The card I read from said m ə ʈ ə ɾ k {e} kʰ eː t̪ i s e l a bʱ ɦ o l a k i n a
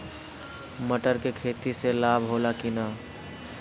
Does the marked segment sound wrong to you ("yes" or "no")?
no